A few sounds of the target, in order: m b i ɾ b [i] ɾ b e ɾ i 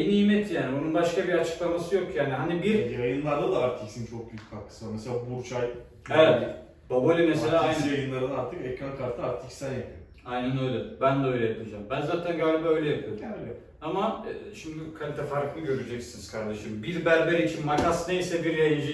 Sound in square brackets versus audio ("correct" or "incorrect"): incorrect